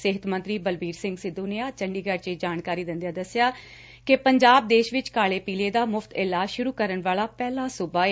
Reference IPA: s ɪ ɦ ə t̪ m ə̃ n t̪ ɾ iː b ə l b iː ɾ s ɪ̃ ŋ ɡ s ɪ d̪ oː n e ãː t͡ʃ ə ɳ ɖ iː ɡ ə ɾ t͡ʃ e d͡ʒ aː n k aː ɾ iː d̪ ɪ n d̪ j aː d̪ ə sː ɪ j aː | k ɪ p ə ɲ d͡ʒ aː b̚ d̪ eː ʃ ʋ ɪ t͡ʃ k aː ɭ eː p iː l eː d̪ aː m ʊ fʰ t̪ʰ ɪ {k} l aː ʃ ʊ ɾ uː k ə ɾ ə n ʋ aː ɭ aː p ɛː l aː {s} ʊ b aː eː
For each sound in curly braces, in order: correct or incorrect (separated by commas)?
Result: incorrect, correct